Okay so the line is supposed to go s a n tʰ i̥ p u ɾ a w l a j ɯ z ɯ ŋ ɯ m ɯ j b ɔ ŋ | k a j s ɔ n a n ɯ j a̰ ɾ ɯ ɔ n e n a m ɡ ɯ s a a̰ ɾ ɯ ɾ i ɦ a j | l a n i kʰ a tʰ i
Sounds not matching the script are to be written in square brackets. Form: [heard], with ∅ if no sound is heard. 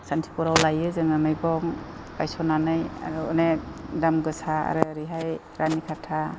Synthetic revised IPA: s a n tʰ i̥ p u ɾ a w l a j ɯ z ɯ ŋ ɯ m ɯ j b ɔ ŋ | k a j s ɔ n a n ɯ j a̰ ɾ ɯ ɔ n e [d] a m ɡ ɯ s a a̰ ɾ ɯ ɾ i ɦ a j | [ɾ] a n i kʰ a tʰ [a]

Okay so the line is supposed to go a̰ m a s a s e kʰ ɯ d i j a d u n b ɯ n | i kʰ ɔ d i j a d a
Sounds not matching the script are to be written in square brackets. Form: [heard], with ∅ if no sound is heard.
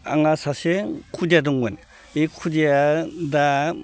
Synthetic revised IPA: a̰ [ŋ] a s a s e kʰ [u] d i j a d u [ŋ] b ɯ n | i kʰ [u] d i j a d a

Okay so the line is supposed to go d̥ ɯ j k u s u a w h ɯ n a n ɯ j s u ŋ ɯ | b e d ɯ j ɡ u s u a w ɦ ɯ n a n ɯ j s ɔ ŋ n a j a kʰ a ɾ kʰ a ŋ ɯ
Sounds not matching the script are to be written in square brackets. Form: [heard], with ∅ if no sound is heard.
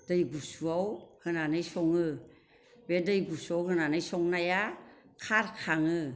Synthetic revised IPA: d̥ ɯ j [ɡ] u s u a w h ɯ n a n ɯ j s [ɔ] ŋ ɯ | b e d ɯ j ɡ u s u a w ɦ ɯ n a n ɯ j s ɔ ŋ n a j a kʰ a ɾ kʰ a ŋ ɯ

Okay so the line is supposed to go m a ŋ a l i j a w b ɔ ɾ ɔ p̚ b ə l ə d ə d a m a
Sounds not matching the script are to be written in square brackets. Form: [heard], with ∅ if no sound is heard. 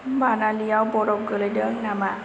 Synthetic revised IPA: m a [n] a l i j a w b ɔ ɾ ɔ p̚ [ɡ] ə l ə d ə [n] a m a

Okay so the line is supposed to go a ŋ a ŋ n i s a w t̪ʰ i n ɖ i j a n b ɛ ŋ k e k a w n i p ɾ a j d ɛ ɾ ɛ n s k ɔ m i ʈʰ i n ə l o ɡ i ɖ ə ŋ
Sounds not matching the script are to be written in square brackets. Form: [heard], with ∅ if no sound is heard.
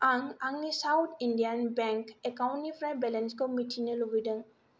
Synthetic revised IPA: a ŋ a ŋ n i s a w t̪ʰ i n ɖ i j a n b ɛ ŋ k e k a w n i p ɾ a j [b] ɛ [l] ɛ n s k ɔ m i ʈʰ i n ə l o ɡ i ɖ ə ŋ

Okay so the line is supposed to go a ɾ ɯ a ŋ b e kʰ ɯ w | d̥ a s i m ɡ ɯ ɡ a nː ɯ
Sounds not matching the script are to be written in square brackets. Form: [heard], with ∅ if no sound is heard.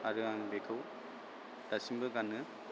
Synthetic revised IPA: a ɾ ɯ a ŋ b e kʰ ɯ w | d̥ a s i m [b] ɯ ɡ a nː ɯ

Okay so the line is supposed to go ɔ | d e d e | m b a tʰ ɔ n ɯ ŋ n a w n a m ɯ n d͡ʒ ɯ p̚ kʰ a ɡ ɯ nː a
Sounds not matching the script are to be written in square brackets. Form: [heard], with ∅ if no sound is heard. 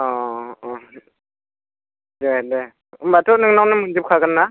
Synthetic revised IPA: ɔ | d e d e | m b a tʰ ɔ n ɯ ŋ n a w n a m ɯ n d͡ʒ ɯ p̚ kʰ a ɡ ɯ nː a

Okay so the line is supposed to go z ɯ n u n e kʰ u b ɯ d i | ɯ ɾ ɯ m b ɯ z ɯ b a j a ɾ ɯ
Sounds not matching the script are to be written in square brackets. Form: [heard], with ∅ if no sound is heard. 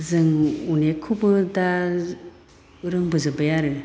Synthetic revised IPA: z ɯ [ŋ] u n e kʰ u b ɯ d [a] | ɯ ɾ ɯ [ŋ] b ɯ z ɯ b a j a ɾ ɯ

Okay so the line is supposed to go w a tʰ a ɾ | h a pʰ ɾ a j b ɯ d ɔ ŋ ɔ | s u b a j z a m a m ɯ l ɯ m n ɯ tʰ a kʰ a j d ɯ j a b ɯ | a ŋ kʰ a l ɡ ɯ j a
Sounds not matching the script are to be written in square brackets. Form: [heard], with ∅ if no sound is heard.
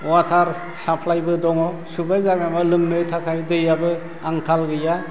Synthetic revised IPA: w a tʰ a ɾ | [s] a pʰ [l] a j b ɯ d ɔ ŋ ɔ | s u b a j z a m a m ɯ l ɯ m n ɯ tʰ a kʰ a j d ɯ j a b ɯ | a ŋ kʰ a l ɡ ɯ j a

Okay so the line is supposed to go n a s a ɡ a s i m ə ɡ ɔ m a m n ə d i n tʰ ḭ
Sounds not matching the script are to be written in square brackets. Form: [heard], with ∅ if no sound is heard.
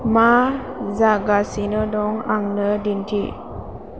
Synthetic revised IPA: [m] a [z] a ɡ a s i [n] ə [d] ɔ [ŋ] a [ŋ] n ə d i n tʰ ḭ

